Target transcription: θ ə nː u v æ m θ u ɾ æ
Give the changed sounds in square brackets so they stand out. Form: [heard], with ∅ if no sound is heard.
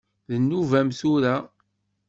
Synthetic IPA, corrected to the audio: [ð] ə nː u v æ m θ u ɾ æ